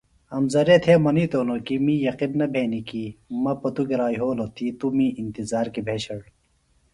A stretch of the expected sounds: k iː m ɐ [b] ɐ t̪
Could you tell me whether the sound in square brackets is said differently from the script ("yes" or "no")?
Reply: yes